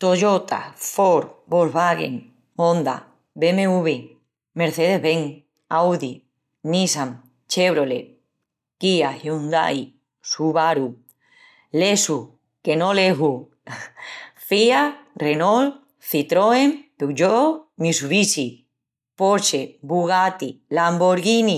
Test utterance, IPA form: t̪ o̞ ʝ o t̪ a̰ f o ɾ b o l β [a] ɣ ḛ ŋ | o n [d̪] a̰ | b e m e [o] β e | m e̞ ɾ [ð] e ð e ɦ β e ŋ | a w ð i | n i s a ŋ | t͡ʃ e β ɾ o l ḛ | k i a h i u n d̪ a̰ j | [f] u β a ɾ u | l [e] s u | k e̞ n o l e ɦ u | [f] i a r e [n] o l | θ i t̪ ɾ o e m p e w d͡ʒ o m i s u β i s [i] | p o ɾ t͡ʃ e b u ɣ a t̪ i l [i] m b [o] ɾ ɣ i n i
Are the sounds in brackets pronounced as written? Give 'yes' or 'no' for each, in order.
yes, yes, no, no, no, yes, yes, yes, yes, no, yes

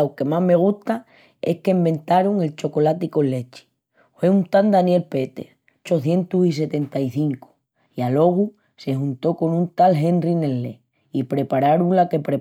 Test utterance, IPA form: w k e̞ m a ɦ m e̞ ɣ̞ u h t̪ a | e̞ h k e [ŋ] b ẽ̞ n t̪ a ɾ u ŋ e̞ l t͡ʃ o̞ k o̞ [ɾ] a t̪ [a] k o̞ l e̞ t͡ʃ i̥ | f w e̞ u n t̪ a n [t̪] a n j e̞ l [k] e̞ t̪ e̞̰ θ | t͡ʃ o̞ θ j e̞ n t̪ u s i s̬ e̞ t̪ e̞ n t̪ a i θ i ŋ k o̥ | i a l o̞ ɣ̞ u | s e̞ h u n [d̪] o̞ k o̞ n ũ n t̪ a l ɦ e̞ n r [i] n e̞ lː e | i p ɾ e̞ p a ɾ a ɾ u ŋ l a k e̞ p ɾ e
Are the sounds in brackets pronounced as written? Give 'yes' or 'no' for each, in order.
no, no, no, no, no, no, yes

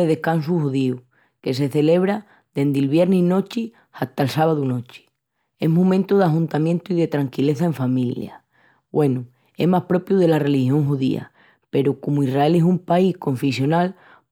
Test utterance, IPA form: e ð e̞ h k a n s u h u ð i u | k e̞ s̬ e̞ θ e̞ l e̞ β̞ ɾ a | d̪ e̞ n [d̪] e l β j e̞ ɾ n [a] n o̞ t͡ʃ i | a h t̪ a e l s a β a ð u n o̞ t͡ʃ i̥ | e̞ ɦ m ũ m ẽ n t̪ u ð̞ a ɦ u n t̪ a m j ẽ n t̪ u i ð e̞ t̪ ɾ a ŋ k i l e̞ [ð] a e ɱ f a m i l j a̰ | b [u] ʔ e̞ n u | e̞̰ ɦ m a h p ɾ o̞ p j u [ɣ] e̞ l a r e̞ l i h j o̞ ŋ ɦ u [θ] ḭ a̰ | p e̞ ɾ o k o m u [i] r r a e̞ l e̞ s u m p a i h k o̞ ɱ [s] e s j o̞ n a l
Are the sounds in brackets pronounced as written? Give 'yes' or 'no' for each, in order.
yes, no, no, no, no, no, yes, no

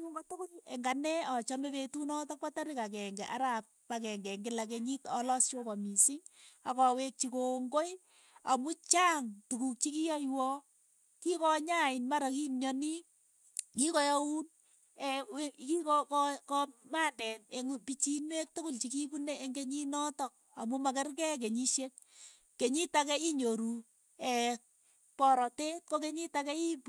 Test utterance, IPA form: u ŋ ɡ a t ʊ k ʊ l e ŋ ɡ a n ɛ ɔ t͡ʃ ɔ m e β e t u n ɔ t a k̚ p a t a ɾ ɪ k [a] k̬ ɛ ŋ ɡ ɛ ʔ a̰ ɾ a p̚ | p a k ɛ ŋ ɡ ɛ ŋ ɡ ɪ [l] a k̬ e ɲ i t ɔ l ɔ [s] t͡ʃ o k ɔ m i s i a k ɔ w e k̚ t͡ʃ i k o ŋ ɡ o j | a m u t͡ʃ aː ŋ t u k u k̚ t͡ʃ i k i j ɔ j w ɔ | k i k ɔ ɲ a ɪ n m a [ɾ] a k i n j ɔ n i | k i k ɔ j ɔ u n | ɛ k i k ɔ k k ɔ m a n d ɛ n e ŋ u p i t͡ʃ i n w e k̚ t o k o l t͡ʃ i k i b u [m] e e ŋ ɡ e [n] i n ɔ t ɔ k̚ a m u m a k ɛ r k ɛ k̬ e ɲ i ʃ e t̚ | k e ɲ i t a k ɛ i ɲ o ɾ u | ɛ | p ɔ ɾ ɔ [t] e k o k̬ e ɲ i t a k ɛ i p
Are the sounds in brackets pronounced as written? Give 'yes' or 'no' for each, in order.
yes, yes, yes, yes, no, no, yes

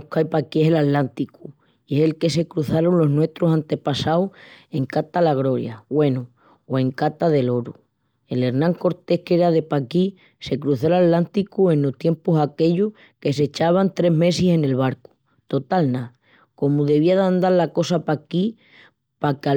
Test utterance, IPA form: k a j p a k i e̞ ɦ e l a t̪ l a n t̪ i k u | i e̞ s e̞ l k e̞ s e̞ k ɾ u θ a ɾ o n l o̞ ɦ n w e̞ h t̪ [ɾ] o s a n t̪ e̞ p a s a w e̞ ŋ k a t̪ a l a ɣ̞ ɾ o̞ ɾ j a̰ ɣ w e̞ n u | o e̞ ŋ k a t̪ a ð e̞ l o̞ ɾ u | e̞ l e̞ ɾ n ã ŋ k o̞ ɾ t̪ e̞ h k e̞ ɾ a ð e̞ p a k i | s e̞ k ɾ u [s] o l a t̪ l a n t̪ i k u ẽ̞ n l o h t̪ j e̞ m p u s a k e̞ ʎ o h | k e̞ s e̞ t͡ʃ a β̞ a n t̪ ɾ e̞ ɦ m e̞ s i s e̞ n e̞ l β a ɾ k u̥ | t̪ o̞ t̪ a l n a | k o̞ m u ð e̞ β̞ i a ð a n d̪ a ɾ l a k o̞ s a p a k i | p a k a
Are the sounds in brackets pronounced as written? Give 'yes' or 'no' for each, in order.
yes, no

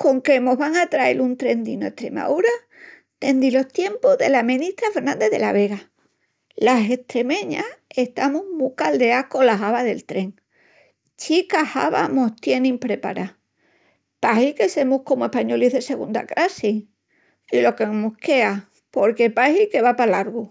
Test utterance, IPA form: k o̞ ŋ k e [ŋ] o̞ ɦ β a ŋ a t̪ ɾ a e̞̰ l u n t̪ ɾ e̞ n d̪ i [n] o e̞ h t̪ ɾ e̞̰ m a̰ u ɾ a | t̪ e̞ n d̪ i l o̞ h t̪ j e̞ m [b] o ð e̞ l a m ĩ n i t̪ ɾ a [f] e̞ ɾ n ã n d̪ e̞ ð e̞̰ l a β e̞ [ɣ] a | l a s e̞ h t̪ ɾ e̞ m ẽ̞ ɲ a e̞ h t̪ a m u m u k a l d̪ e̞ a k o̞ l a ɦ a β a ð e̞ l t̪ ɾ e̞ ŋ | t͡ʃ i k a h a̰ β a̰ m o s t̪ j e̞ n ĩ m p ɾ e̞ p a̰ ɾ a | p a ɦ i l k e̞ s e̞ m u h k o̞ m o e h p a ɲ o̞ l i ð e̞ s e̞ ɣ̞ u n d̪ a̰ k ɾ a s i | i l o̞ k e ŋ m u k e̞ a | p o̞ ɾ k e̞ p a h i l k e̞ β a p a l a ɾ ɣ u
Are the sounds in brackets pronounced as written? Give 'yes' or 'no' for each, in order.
no, yes, no, yes, yes

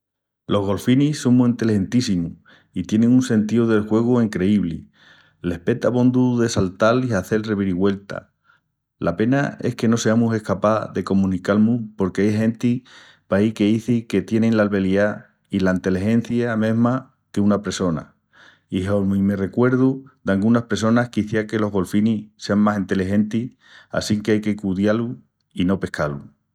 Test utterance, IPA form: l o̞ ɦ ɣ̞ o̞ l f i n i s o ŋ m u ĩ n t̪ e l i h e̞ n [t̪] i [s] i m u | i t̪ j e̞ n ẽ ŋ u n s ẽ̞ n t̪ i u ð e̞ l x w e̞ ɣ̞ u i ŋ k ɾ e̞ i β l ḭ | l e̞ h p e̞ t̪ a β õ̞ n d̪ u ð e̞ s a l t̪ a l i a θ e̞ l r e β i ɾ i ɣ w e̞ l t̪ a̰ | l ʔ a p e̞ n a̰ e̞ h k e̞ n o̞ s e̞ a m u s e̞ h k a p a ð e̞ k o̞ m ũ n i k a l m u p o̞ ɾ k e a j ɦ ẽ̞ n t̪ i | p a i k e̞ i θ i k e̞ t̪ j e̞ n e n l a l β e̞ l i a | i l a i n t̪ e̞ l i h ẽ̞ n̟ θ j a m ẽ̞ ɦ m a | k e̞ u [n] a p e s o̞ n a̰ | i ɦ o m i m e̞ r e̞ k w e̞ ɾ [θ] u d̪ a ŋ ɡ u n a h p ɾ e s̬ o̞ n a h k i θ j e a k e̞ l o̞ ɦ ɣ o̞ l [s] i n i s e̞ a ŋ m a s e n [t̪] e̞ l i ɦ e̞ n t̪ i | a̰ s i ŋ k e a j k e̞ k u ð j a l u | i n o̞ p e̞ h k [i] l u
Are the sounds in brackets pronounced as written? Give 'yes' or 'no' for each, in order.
yes, yes, yes, no, no, yes, no

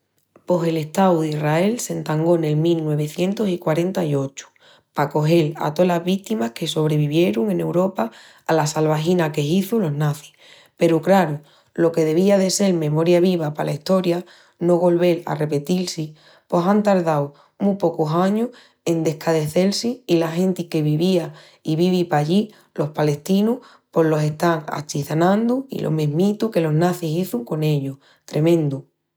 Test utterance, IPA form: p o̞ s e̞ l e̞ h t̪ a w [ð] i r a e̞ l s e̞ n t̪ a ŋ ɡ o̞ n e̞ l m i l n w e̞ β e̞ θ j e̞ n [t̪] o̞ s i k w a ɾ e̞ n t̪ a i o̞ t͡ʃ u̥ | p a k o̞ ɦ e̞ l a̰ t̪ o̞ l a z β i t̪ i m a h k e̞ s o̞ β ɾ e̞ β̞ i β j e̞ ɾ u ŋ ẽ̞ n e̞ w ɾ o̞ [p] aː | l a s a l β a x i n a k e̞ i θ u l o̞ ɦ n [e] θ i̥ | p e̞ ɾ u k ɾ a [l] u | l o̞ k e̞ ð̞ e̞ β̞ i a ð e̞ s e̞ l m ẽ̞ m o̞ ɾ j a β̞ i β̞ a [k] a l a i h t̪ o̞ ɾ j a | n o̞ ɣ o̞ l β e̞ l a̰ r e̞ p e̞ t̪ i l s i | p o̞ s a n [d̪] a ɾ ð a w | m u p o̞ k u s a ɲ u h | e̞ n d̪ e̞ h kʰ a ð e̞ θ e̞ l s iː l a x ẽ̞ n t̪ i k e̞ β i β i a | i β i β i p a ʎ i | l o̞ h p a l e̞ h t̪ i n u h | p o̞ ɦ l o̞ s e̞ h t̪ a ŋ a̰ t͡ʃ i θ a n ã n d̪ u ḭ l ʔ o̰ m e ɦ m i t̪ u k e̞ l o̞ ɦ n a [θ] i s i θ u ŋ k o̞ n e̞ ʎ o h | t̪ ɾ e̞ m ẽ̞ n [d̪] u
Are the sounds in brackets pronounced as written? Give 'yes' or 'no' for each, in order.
yes, yes, yes, no, no, no, no, yes, yes

